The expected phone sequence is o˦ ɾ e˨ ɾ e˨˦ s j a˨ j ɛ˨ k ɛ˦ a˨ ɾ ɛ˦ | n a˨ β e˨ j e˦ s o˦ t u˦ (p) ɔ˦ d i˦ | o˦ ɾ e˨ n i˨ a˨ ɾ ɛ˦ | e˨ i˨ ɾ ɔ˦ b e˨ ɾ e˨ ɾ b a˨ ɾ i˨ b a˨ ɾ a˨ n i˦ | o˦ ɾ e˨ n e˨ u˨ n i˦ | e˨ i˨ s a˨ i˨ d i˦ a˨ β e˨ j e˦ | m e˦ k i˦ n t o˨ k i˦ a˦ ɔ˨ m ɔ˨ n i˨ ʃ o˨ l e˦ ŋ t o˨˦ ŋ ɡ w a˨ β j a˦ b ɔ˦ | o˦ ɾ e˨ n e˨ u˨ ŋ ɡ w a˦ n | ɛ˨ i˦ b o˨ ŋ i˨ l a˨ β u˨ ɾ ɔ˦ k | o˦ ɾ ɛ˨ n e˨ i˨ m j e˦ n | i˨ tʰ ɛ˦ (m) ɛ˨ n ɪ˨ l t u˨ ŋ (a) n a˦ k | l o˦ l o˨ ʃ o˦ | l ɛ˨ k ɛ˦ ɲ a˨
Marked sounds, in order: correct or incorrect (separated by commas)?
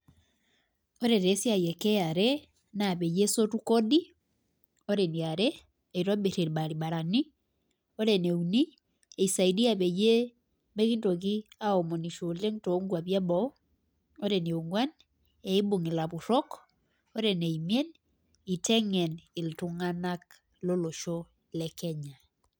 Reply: incorrect, incorrect, correct